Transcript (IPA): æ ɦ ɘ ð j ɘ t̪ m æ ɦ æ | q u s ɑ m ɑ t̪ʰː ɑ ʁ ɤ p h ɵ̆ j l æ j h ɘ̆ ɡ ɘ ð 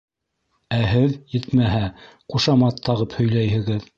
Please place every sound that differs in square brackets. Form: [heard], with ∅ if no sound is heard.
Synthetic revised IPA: æ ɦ ɘ ð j ɘ t̪ m æ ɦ æ | q u [ʃ] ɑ m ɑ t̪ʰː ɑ ʁ ɤ p h ɵ̆ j l æ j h ɘ̆ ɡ ɘ ð